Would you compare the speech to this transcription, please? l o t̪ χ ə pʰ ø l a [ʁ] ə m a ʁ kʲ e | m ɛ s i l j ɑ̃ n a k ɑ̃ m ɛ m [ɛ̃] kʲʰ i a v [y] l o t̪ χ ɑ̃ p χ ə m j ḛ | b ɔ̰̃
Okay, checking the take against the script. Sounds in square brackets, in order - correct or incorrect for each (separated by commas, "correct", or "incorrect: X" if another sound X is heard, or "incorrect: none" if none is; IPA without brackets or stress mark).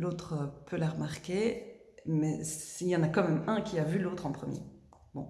correct, correct, correct